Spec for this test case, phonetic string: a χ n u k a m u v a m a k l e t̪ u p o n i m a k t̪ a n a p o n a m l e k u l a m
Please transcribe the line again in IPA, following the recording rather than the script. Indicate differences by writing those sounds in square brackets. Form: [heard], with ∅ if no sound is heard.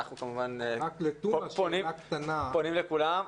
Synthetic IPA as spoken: a χ n u k a m u v a [n] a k l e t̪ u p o n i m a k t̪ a n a p o n [i] m l e k u l a m